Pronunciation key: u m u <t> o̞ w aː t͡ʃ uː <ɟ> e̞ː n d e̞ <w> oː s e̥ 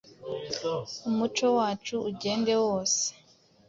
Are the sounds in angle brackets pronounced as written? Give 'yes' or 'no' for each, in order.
no, yes, yes

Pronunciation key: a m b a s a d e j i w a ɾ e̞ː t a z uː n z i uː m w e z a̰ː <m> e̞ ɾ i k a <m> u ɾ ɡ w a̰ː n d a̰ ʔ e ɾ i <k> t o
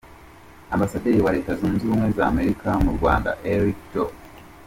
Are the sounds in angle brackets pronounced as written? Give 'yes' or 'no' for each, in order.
yes, yes, yes

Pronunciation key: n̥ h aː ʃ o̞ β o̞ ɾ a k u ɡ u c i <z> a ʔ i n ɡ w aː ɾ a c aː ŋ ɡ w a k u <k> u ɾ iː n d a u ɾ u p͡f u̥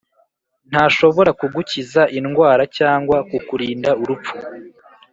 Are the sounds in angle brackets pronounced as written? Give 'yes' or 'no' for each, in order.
yes, yes

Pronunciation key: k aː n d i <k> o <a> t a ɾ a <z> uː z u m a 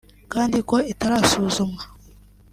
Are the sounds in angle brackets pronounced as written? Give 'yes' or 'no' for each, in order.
yes, no, no

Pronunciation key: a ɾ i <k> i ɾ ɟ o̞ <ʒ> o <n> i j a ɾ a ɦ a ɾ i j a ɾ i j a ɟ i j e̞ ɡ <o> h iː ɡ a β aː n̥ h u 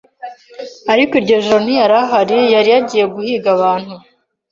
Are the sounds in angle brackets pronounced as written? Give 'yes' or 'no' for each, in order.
yes, yes, yes, no

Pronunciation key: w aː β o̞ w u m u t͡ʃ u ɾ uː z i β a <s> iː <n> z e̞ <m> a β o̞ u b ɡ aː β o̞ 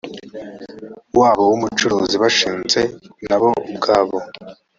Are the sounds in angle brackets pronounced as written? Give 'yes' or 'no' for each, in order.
no, yes, no

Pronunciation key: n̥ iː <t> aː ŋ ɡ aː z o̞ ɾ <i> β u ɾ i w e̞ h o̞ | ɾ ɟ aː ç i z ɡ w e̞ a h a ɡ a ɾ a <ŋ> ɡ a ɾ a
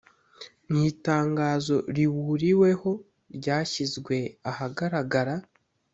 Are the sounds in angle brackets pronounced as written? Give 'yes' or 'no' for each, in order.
yes, yes, no

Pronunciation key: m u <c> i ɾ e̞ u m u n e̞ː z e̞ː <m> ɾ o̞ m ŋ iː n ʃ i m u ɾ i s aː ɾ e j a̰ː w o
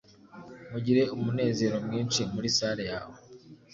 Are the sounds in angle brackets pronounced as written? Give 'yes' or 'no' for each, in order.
no, no

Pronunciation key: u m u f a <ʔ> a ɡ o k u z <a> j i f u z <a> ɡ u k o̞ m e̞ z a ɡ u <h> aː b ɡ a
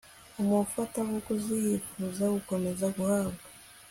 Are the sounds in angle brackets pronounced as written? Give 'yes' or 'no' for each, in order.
no, no, yes, yes

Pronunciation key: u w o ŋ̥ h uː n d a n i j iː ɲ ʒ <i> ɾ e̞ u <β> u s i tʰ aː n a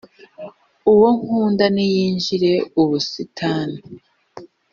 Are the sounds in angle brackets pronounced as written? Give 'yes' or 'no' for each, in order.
yes, yes

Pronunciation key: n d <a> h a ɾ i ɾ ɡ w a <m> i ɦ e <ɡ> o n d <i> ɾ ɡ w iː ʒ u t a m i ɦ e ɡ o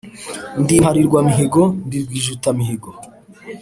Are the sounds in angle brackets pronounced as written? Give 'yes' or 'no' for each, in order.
no, yes, yes, yes

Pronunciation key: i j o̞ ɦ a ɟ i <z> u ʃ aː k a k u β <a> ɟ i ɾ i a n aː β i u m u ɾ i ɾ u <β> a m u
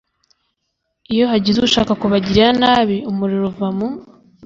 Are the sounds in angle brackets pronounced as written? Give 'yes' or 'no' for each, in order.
yes, yes, no

